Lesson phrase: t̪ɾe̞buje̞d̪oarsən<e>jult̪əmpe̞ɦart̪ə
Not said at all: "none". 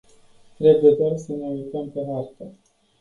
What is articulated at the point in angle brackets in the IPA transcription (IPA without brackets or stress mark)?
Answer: e